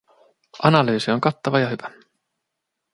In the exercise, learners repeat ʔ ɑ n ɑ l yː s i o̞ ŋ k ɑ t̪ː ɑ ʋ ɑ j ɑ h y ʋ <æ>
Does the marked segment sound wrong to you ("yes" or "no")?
no